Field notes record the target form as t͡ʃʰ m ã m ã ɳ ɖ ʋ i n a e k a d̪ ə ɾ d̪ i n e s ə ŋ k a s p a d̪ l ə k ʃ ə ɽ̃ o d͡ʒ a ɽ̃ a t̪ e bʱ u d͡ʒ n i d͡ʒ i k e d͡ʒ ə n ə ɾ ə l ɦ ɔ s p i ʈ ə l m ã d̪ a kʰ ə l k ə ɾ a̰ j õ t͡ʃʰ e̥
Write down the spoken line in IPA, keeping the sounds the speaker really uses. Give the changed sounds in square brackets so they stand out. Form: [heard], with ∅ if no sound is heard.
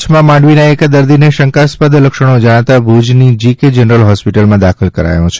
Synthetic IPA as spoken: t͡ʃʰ m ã m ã ɳ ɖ ʋ i n a e k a d̪ ə ɾ d̪ i n e [ʃ] ə ŋ k a s p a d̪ l ə k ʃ ə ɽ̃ o d͡ʒ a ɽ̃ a t̪ [a] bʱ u d͡ʒ n i d͡ʒ i k e d͡ʒ ə n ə ɾ ə l ɦ ɔ s p i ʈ ə l m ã d̪ a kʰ ə l k ə ɾ a̰ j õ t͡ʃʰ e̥